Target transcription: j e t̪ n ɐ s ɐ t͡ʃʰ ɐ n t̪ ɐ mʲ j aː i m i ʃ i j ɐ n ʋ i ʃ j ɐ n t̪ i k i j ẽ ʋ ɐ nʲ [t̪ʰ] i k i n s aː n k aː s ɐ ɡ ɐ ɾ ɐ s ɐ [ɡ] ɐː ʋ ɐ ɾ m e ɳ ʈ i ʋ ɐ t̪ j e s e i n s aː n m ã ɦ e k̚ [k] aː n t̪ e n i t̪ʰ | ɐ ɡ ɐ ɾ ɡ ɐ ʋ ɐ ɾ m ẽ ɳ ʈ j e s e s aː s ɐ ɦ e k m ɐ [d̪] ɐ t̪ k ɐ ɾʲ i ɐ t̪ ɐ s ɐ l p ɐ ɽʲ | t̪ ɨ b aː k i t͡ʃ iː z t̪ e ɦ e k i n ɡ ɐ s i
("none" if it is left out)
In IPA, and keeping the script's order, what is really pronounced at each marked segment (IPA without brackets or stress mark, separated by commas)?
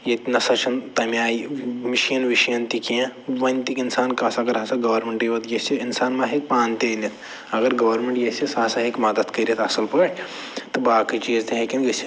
t̪, ɡ, p, d̪